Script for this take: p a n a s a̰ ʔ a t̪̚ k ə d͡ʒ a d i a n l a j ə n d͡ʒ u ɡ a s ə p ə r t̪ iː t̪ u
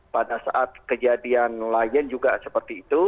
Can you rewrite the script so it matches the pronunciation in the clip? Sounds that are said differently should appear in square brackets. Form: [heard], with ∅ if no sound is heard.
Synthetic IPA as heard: p a [d] a s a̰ ʔ a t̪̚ k ə d͡ʒ a d i a n l a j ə n d͡ʒ u ɡ a s ə p ə r t̪ iː t̪ u